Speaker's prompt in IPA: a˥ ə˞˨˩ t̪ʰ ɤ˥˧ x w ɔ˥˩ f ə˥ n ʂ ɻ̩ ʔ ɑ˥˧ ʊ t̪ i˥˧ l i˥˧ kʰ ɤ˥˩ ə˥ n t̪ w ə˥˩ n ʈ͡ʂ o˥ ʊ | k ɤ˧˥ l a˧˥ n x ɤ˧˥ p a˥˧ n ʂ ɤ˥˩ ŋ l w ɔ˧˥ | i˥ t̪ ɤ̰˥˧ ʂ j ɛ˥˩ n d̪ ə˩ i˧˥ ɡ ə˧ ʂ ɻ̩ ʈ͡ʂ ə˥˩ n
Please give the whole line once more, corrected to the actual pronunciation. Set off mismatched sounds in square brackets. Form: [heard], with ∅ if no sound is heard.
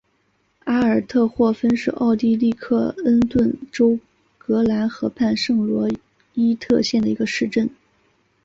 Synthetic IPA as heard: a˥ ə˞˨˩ t̪ʰ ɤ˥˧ x w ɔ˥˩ f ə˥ n ʂ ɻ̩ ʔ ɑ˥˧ ʊ t̪ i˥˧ l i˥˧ kʰ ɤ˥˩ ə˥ n t̪ w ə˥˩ n ʈ͡ʂ o˥ ʊ | k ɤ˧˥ l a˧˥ n x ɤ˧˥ [pʰ] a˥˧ n ʂ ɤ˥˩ ŋ l w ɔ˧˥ | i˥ [t̪ʰ] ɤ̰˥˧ [ɕ] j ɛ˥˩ n d̪ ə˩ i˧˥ ɡ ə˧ ʂ ɻ̩ ʈ͡ʂ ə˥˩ n

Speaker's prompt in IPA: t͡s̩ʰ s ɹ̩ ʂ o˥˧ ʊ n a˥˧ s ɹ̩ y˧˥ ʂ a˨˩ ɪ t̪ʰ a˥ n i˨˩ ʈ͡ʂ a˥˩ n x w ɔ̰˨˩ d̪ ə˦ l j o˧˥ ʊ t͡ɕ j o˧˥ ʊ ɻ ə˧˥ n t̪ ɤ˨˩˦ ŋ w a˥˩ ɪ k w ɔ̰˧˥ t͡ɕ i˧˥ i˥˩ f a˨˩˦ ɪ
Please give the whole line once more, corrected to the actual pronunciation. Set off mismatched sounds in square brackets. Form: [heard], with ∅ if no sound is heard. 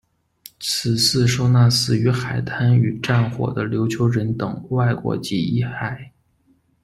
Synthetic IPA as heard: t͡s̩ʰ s ɹ̩ ʂ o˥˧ ʊ n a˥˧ s ɹ̩ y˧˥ [x] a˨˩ ɪ t̪ʰ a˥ n [y˨˩] ʈ͡ʂ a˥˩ n x w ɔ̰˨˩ d̪ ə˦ l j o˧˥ ʊ [t͡ɕʰ] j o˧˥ ʊ ɻ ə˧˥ n t̪ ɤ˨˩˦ ŋ w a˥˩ ɪ k w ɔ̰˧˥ t͡ɕ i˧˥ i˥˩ [x] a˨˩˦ ɪ

